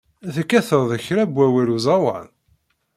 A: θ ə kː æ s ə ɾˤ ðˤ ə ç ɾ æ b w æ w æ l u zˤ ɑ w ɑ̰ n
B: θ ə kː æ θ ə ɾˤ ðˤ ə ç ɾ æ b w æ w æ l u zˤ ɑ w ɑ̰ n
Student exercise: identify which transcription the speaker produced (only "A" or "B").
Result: B